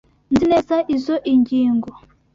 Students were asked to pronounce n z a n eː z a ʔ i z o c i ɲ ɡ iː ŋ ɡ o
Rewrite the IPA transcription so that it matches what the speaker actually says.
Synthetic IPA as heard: n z i n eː z a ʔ i z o ʔ i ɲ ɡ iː ŋ ɡ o